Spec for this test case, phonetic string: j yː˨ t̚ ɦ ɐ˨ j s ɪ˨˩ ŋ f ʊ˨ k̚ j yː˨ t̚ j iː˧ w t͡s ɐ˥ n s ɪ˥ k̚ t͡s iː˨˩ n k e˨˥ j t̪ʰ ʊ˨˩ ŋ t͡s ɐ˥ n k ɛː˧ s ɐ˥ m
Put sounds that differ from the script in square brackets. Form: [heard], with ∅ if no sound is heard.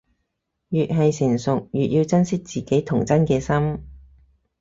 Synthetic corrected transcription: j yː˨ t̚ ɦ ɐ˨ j s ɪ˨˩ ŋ [s] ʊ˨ k̚ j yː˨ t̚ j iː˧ w t͡s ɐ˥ n s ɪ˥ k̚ t͡s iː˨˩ [∅] k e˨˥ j t̪ʰ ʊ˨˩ ŋ t͡s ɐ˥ n k ɛː˧ s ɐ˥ m